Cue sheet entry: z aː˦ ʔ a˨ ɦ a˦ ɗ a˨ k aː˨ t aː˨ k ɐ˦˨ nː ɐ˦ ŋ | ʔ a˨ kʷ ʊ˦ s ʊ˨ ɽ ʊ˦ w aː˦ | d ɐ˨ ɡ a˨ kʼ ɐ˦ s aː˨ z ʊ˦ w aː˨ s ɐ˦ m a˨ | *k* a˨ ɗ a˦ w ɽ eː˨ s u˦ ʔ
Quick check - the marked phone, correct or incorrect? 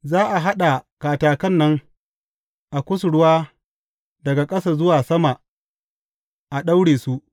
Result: incorrect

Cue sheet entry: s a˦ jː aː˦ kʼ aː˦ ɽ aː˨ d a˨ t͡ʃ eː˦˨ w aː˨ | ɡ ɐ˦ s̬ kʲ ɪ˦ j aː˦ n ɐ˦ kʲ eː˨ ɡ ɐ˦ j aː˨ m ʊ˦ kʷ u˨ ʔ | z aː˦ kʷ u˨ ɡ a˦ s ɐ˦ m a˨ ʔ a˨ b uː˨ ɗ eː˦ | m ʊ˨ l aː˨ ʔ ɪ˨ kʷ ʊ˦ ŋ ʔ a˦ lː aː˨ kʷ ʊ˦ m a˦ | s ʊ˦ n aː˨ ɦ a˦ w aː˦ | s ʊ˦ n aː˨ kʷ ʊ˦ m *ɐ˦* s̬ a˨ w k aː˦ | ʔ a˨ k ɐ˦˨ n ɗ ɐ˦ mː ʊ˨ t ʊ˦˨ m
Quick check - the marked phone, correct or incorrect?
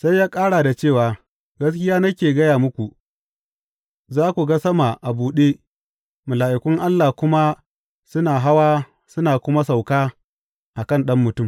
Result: incorrect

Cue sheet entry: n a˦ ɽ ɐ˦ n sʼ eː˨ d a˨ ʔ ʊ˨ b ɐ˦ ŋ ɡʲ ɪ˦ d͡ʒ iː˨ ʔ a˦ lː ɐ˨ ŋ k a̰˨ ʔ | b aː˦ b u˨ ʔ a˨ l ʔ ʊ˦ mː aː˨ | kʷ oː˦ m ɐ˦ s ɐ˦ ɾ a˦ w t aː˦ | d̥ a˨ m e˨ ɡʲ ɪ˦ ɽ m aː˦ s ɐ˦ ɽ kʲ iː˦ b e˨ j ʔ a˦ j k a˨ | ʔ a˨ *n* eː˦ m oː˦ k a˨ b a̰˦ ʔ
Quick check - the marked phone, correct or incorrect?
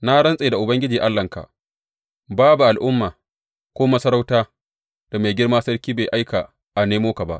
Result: correct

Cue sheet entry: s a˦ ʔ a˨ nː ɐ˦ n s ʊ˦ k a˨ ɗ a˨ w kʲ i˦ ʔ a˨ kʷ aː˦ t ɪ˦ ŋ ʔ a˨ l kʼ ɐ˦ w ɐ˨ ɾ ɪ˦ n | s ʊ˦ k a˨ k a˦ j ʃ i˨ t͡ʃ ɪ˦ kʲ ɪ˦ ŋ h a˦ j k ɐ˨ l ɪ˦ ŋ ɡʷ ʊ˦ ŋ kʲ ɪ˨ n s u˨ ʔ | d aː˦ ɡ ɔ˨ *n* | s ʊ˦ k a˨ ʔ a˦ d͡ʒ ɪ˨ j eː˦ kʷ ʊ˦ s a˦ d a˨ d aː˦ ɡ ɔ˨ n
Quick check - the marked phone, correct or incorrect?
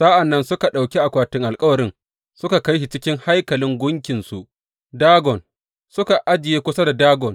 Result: correct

